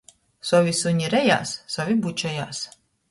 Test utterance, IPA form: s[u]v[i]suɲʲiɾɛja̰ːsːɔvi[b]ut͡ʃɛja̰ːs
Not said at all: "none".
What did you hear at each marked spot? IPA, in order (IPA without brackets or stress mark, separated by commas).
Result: ɔ, i, b